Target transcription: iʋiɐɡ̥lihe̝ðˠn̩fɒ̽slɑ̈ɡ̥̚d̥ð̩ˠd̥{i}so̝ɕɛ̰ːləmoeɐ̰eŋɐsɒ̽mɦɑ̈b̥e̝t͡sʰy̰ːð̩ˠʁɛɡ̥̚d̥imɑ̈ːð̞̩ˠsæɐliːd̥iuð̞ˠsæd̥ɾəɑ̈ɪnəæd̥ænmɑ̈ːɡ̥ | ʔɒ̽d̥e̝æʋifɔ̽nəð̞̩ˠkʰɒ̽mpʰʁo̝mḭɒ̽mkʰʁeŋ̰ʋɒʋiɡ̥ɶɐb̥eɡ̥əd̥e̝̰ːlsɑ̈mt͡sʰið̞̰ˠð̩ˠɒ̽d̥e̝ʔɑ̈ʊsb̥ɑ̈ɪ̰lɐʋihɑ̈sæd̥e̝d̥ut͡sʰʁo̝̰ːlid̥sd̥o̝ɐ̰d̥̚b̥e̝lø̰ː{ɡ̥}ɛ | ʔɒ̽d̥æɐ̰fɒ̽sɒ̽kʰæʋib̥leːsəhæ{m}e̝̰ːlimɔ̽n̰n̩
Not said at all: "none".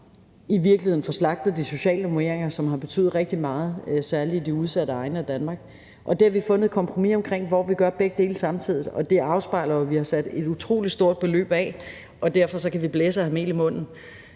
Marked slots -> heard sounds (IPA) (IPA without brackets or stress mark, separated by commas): i, b̥, m